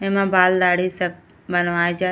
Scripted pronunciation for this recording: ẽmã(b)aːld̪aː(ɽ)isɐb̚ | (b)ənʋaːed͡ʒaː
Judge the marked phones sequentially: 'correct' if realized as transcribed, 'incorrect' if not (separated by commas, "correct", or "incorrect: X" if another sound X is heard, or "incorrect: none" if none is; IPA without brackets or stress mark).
correct, correct, correct